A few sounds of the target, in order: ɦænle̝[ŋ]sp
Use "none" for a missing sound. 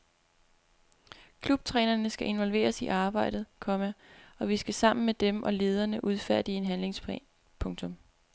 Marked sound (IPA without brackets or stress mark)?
ŋ